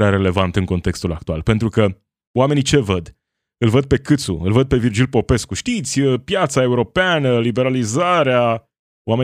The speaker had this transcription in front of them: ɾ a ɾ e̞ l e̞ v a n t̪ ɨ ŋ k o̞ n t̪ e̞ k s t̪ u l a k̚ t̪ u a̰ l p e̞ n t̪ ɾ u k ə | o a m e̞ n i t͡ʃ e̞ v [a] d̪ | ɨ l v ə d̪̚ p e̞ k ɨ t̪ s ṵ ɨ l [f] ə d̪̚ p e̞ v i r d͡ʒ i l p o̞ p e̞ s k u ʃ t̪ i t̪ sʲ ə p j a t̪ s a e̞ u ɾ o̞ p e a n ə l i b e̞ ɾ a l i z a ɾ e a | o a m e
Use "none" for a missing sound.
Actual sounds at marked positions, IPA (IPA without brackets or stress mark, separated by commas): ə, v